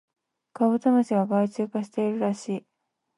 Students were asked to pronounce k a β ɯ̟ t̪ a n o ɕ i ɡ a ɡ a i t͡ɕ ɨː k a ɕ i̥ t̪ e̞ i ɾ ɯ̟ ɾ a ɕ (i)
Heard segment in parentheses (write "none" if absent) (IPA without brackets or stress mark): iː